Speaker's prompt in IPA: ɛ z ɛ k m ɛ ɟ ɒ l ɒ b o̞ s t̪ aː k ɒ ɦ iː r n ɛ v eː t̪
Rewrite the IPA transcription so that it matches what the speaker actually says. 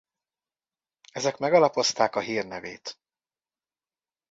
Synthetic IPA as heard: ɛ z ɛ k m ɛ ɡ ɒ l ɒ p o̞ s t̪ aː k ɒ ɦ iː r n ɛ v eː t̪